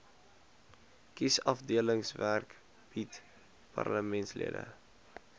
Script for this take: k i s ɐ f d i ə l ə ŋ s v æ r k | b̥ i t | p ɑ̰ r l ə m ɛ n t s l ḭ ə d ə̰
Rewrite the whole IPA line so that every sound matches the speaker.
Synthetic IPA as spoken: k i s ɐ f d i ə l ə ŋ s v æ r k | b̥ i t | p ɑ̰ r l ə m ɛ n t s l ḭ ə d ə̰